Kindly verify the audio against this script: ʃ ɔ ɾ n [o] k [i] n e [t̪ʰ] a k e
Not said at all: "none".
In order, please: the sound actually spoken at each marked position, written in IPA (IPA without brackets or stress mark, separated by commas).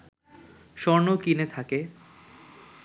o, i, t̪ʰ